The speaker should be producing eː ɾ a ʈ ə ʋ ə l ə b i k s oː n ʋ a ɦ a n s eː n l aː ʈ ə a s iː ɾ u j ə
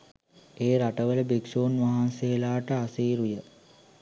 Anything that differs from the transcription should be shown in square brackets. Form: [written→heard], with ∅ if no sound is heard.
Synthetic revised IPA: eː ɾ a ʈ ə ʋ ə l ə b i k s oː n ʋ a ɦ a n s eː [n→∅] l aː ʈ ə a s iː ɾ u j ə